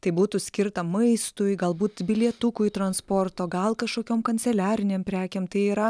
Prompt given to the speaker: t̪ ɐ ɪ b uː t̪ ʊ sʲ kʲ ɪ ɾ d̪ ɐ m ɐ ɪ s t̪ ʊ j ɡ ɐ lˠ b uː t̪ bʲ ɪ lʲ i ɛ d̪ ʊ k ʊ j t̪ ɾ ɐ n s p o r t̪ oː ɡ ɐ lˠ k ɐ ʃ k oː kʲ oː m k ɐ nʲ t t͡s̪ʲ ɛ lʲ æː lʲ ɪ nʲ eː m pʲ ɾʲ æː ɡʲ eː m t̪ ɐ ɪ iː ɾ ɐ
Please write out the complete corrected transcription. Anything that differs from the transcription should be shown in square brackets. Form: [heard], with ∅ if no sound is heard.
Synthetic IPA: t̪ ɐ ɪ b uː t̪ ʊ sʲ kʲ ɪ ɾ [t̪] ɐ m ɐ ɪ s t̪ ʊ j ɡ ɐ lˠ b uː t̪ bʲ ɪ lʲ i ɛ [t̪] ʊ k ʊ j t̪ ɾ ɐ n s p o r t̪ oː ɡ ɐ lˠ k ɐ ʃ k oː kʲ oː m k ɐ nʲ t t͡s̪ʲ ɛ lʲ æː [ɾʲ] ɪ nʲ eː m pʲ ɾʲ æː [kʲ] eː m t̪ ɐ ɪ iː ɾ ɐ

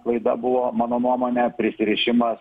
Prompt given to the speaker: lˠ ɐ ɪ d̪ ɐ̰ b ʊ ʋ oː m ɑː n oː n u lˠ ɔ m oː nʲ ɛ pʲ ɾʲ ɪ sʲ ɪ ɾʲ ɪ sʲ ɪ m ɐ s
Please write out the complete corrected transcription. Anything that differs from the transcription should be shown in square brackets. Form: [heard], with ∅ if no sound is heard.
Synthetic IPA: lˠ ɐ ɪ d̪ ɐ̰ b ʊ ʋ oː m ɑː n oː n u [∅] ɔ m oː nʲ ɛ pʲ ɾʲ ɪ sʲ ɪ ɾʲ ɪ [ʃʲ] ɪ m ɐ s

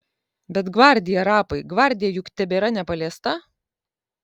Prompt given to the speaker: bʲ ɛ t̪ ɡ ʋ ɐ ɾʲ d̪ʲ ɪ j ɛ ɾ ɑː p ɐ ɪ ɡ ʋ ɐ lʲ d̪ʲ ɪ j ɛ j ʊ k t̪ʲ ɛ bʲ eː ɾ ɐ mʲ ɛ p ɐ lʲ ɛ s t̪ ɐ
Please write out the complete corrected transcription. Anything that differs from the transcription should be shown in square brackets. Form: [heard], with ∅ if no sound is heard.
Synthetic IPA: bʲ ɛ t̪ ɡ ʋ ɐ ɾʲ d̪ʲ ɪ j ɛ ɾ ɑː p ɐ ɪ ɡ ʋ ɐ [ɾʲ] d̪ʲ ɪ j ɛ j ʊ k t̪ʲ ɛ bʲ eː ɾ ɐ [nʲ] ɛ p ɐ lʲ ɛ s t̪ ɐ

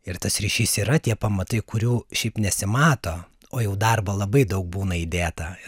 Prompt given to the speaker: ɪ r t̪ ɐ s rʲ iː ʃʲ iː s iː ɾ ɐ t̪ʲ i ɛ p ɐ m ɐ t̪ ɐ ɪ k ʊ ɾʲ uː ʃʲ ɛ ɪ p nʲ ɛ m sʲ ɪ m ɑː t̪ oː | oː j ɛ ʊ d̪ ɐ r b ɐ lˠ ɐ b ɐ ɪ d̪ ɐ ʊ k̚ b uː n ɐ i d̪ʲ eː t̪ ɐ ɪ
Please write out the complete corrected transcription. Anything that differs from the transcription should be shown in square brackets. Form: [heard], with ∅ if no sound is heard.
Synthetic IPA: ɪ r t̪ ɐ s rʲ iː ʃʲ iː s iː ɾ ɐ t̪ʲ i ɛ p ɐ m ɐ t̪ ɐ ɪ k ʊ ɾʲ uː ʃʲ ɛ ɪ p nʲ ɛ [∅] sʲ ɪ m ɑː t̪ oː | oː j ɛ ʊ d̪ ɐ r b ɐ lˠ ɐ b ɐ ɪ d̪ ɐ ʊ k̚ b uː n ɐ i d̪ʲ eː t̪ ɐ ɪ

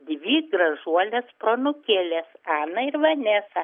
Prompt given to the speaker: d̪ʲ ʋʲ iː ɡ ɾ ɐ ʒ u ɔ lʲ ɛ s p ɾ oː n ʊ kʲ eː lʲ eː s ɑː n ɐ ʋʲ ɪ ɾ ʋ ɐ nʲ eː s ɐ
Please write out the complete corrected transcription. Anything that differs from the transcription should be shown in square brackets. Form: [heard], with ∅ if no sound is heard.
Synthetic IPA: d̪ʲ ʋʲ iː ɡ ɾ ɐ ʒ u ɔ lʲ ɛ s p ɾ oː n ʊ kʲ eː lʲ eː s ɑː n ɐ [∅] ɪ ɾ ʋ ɐ nʲ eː s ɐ

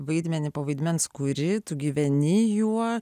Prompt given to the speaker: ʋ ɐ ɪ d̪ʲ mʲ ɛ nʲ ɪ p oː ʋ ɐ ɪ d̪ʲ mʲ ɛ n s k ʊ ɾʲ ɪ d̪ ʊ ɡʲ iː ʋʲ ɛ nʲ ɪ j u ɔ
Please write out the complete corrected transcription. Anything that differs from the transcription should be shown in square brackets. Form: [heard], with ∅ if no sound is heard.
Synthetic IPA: ʋ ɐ ɪ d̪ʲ mʲ ɛ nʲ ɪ p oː ʋ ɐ ɪ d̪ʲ mʲ ɛ n s k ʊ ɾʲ ɪ [t̪] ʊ ɡʲ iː ʋʲ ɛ nʲ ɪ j u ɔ

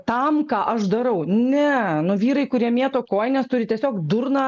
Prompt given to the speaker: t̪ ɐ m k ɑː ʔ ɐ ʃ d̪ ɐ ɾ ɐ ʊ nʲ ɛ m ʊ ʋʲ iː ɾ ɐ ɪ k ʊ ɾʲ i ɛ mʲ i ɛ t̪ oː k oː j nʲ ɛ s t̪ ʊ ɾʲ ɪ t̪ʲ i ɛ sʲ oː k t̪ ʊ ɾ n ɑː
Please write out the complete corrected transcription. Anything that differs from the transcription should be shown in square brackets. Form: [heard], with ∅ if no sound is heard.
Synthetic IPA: t̪ ɐ m k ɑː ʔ ɐ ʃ d̪ ɐ ɾ ɐ ʊ nʲ ɛ [n] ʊ ʋʲ iː ɾ ɐ ɪ k ʊ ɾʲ i ɛ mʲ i ɛ t̪ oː k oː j nʲ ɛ s t̪ ʊ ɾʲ ɪ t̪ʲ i ɛ sʲ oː k [d̪] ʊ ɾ n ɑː

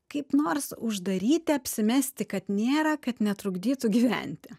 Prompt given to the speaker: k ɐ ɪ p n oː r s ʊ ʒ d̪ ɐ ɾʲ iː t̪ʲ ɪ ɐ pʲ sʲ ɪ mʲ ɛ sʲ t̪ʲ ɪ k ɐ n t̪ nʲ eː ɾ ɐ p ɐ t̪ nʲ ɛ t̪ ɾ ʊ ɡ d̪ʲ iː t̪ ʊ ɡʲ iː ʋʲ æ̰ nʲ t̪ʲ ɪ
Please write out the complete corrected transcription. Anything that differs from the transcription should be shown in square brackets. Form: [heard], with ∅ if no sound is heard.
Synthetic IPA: k ɐ ɪ p n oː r s ʊ ʒ d̪ ɐ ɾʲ iː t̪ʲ ɪ ɐ pʲ sʲ ɪ mʲ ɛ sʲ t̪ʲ ɪ k ɐ [∅] t̪ nʲ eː ɾ ɐ [k] ɐ t̪ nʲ ɛ t̪ ɾ ʊ ɡ d̪ʲ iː t̪ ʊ ɡʲ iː ʋʲ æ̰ nʲ t̪ʲ ɪ

